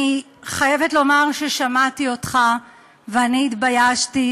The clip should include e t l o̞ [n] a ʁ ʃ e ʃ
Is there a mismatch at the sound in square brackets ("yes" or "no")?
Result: yes